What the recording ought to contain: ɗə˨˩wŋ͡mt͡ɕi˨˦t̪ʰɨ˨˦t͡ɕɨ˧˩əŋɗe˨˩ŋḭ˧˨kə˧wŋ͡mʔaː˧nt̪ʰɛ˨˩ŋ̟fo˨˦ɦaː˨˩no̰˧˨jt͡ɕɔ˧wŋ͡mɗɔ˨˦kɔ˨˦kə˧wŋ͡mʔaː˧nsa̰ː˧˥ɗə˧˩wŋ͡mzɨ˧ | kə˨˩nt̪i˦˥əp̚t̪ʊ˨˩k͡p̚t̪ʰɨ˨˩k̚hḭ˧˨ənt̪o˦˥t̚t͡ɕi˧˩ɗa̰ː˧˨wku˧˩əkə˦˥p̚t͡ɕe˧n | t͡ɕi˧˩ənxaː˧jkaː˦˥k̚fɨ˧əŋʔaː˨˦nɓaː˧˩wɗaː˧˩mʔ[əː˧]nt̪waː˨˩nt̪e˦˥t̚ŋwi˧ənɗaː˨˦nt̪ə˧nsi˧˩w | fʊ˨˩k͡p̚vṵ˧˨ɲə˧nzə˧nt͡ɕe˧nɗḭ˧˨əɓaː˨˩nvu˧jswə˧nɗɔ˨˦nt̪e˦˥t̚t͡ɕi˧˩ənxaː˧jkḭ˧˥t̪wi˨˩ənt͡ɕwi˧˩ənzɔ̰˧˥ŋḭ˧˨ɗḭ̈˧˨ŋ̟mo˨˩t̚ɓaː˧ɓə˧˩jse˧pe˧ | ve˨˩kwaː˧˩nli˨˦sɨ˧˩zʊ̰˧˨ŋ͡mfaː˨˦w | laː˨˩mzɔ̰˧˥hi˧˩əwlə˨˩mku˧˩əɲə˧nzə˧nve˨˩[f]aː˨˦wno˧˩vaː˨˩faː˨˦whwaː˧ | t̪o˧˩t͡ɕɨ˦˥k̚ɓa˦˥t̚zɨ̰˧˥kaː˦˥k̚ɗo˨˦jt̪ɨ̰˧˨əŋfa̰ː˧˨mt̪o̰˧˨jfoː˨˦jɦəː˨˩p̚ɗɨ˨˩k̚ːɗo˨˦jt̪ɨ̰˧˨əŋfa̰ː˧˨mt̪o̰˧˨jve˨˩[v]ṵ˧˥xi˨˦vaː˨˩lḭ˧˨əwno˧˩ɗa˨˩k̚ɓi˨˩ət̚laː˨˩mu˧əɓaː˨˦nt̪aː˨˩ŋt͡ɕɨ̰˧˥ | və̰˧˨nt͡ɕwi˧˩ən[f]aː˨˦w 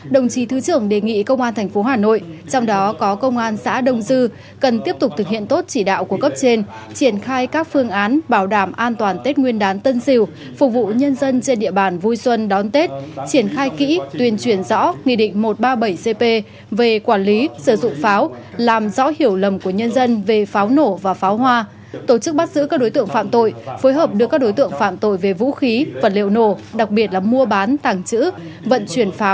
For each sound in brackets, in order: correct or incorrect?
incorrect: aː˧, correct, correct, correct

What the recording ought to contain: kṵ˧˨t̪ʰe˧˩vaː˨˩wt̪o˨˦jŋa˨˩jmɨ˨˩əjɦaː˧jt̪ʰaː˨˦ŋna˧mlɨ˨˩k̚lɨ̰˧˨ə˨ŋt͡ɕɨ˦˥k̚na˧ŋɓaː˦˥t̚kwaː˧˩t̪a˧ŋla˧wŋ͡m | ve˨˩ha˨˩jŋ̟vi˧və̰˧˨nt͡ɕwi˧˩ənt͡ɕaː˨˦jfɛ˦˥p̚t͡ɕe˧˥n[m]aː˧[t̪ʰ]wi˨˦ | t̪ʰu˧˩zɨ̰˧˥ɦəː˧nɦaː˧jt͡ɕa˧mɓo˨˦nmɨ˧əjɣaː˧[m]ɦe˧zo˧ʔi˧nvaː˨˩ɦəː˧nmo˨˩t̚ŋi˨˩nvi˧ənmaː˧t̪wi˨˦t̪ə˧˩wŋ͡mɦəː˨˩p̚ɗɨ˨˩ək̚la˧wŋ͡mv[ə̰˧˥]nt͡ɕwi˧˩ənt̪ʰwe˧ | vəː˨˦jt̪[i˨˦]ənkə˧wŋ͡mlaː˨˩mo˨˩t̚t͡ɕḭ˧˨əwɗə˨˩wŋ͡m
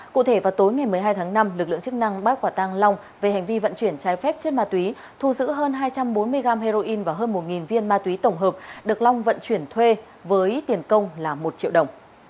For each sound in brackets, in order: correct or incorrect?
correct, incorrect: t̪, correct, incorrect: ə̰˧˨, incorrect: i˨˩

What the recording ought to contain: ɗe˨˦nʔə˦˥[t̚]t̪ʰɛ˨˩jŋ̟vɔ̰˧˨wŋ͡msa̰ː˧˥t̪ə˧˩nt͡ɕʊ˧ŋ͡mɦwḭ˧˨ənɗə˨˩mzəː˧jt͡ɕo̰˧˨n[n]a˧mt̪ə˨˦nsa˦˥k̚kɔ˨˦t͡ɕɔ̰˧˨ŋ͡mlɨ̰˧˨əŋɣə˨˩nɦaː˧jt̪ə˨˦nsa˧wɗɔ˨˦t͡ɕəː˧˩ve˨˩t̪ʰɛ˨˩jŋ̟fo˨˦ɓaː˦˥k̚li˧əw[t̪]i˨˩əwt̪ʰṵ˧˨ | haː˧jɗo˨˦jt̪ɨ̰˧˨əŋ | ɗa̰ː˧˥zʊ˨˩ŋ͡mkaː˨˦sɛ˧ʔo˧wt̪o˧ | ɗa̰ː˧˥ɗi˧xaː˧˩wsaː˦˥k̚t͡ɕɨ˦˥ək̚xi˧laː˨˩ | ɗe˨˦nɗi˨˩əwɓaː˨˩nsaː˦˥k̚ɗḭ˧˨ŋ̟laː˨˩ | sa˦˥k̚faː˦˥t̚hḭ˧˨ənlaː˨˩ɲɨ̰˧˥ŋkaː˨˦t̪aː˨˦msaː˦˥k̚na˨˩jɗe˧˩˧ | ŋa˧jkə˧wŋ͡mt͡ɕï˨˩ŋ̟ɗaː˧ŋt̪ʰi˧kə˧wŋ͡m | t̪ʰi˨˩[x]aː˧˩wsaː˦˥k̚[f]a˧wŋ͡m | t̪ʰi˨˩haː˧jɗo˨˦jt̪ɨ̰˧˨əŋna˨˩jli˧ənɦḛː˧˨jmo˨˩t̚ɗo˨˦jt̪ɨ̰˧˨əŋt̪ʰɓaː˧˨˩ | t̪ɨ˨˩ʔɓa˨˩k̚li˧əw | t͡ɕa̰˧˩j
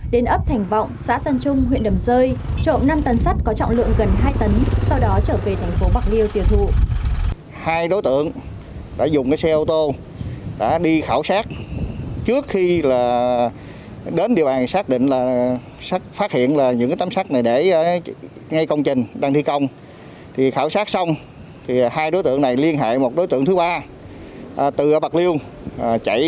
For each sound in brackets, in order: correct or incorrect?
incorrect: p̚, correct, correct, correct, incorrect: s

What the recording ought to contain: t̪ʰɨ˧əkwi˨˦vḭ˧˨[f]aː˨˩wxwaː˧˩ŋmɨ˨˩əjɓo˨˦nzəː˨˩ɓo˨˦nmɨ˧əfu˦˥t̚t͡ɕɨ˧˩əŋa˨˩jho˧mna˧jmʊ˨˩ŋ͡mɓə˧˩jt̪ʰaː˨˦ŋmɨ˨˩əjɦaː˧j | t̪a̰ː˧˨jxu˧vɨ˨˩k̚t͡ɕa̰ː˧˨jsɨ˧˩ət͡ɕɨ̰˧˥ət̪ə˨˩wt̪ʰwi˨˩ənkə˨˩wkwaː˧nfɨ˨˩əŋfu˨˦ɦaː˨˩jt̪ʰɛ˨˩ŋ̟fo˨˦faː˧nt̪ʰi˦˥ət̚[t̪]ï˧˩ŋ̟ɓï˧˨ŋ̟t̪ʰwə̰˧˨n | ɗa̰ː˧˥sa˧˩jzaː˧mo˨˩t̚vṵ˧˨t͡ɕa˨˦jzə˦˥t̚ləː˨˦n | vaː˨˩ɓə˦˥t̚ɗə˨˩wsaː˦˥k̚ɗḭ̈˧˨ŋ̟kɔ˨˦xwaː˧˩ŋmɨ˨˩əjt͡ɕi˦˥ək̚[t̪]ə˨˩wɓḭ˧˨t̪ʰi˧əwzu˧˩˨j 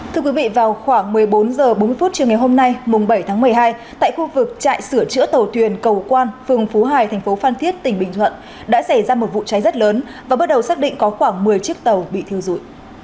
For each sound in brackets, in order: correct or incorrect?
incorrect: v, correct, correct

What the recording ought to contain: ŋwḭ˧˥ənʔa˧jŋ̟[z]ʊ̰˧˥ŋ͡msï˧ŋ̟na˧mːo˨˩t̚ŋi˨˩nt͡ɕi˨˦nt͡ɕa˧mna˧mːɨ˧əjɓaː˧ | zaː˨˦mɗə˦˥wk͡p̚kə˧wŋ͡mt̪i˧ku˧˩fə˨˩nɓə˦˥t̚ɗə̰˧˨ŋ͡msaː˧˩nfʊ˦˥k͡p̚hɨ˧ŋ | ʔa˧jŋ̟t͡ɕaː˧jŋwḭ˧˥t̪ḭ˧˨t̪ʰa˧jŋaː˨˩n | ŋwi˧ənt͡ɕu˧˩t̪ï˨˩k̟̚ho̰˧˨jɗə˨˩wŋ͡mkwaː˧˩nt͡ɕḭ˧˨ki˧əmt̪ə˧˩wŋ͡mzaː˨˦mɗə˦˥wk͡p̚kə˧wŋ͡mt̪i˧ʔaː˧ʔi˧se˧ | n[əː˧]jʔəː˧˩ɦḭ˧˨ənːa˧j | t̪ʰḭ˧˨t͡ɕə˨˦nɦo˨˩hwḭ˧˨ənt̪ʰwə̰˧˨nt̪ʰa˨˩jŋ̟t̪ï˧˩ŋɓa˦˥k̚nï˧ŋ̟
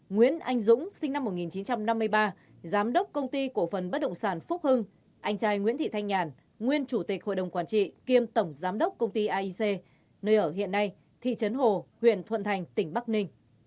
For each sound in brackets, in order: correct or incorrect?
correct, correct

